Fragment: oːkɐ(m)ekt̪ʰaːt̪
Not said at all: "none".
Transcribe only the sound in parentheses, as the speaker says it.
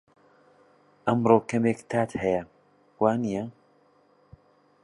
m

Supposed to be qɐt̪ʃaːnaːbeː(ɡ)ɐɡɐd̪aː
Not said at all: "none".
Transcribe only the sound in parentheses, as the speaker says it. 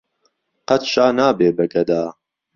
b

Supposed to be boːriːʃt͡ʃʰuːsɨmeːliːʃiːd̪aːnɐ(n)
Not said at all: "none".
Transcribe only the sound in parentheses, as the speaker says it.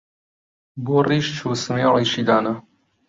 none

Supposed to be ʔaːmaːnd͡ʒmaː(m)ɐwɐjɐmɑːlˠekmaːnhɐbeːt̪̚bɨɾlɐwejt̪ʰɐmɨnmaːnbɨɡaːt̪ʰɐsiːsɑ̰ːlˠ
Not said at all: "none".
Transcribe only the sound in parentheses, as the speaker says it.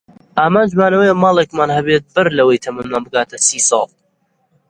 n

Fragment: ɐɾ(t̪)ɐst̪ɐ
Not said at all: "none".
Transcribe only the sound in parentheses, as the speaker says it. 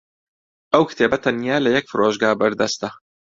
d̪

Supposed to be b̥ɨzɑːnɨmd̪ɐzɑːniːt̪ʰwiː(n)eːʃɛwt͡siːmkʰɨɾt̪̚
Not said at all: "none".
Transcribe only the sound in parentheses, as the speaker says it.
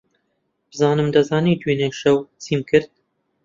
n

